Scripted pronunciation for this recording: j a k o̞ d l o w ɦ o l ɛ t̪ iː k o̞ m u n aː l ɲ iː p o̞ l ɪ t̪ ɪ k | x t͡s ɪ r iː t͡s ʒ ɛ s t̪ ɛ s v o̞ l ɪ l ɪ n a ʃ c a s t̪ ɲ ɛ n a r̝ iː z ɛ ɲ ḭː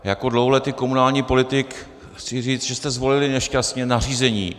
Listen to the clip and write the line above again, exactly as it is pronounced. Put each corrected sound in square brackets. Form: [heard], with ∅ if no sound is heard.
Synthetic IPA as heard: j a k o̞ d l o w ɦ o l ɛ t̪ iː k o̞ m u n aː l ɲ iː p o̞ l ɪ t̪ ɪ k | x t͡s ɪ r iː t͡s ʒ ɛ s t̪ ɛ [z] v o̞ l ɪ l ɪ n [ɛ] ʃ c a s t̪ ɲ ɛ n a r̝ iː z ɛ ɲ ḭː